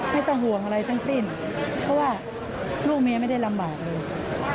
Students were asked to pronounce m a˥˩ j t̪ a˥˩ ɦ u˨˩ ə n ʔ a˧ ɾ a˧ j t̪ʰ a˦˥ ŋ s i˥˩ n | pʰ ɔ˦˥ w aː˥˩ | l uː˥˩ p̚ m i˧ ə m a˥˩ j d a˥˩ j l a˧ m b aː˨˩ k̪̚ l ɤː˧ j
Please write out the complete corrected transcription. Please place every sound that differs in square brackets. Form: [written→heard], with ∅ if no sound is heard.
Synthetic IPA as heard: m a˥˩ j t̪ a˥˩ ɦ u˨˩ ə [n→ŋ] ʔ a˧ ɾ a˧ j t̪ʰ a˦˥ ŋ s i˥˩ n | pʰ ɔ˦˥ w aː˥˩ | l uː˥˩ [p̚→k̚] m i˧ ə m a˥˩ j d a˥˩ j l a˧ m b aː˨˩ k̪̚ l ɤː˧ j